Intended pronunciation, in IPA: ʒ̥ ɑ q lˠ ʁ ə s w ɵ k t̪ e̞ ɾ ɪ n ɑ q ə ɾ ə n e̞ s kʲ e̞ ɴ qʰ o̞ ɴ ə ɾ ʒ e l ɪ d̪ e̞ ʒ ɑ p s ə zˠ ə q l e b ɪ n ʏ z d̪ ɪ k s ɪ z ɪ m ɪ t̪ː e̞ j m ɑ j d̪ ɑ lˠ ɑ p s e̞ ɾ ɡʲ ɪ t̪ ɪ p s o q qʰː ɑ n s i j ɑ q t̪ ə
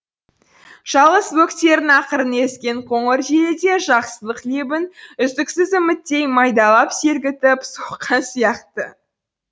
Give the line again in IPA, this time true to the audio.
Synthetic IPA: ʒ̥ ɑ lˠ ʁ ə s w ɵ k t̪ e̞ ɾ ɪ n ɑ q ə ɾ ə n e̞ s kʲ e̞ ɴ qʰ o̞ ɴ ə ɾ ʒ e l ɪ d̪ e̞ ʒ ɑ q s ə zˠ ə q l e b ɪ n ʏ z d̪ ɪ k s ɪ z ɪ m ɪ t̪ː e̞ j m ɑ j d̪ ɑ lˠ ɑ p s e̞ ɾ ɡʲ ɪ t̪ ɪ p s o q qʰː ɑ n s i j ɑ q t̪ ə

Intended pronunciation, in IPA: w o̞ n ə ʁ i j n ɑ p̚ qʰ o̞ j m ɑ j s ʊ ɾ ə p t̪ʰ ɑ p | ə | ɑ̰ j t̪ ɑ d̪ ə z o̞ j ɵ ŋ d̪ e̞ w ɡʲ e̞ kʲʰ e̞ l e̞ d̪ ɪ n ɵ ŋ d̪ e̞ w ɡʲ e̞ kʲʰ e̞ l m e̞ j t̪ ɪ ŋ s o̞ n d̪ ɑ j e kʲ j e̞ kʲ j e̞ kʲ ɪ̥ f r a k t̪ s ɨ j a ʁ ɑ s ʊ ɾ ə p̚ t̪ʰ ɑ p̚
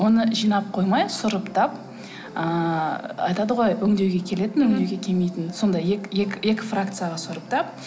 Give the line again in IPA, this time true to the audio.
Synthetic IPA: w o̞ n ə ʒ i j n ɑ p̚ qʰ o̞ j m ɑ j s ʊ ɾ ə p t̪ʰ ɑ p | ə | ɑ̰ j t̪ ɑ d̪ ə ʁ o̞ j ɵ ŋ d̪ e̞ w ɡʲ e̞ kʲʰ e̞ l e̞ t̪ ɪ n ɵ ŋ d̪ e̞ w ɡʲ e̞ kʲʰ e̞ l m e̞ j t̪ ɪ n s o̞ n d̪ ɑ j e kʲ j e̞ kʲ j e̞ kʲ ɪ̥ f r a k t̪ s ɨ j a ʁ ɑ s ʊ ɾ ə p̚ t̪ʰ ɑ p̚

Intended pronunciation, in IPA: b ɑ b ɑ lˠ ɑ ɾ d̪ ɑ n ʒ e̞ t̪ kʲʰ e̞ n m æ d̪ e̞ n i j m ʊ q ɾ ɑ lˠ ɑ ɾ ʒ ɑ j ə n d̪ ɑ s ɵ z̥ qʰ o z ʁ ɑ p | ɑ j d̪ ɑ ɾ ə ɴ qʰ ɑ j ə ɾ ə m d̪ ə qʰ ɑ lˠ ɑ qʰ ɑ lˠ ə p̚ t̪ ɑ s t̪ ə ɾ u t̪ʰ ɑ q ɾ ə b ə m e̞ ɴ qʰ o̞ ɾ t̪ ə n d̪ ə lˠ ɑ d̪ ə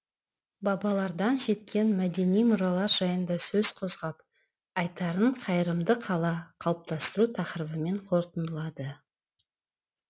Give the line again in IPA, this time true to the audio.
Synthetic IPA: b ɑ b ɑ lˠ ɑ ɾ d̪ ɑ n ʒ e̞ t̪ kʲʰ e̞ n m æ d̪ e̞ n i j m ʊ ɾ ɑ lˠ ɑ ɾ ʒ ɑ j ə n d̪ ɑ s ɵ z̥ qʰ o z ʁ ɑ p | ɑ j t̪ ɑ ɾ ə ɴ qʰ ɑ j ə ɾ ə m d̪ ə qʰ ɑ lˠ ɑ qʰ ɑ lˠ ə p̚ t̪ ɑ s t̪ ə ɾ u t̪ʰ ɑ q ɾ ə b ə m e̞ ɴ qʰ o̞ ɾ t̪ ə n d̪ ə lˠ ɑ d̪ ə

